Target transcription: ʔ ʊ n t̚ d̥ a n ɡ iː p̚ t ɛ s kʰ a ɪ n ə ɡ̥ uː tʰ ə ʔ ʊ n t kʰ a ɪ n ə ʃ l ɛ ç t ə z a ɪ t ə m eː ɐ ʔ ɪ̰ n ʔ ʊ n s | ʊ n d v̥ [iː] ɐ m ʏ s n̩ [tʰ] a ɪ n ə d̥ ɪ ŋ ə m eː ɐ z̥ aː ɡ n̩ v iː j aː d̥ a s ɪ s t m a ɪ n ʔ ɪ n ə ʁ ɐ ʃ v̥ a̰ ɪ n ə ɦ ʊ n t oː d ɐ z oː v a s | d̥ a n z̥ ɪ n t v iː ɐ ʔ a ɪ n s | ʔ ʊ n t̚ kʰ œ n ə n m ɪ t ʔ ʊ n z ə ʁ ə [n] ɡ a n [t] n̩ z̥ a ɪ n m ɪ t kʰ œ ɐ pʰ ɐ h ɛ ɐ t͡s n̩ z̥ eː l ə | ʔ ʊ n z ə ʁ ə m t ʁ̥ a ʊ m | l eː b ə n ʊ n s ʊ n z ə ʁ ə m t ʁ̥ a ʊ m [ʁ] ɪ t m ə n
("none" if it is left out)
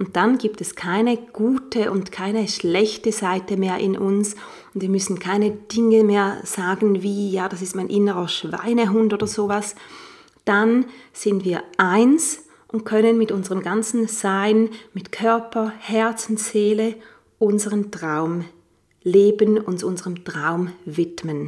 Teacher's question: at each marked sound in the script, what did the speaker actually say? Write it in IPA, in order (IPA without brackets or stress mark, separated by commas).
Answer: iː, kʰ, m, t͡s, v